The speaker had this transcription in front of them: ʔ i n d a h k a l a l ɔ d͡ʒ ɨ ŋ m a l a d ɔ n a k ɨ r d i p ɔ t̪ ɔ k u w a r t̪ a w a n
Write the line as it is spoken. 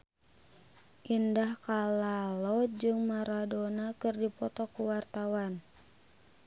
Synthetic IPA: ʔ i n d a h k a l a l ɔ d͡ʒ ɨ ŋ m a ɾ a d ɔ n a k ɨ r d i p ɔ t̪ ɔ k u w a r t̪ a w a n